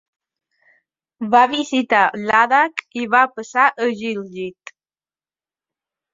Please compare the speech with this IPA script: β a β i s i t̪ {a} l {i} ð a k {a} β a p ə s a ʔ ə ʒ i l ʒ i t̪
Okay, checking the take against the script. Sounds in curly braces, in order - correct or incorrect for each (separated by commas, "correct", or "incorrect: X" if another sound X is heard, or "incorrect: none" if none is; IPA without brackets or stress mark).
correct, incorrect: a, incorrect: i